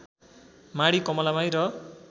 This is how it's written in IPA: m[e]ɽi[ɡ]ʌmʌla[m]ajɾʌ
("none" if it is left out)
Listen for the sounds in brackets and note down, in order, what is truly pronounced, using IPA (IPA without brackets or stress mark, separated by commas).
a, k, m